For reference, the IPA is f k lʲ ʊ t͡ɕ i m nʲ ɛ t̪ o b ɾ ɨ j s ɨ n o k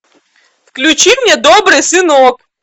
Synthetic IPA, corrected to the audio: f k lʲ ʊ t͡ɕ i m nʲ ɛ d̪ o b ɾ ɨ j s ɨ n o k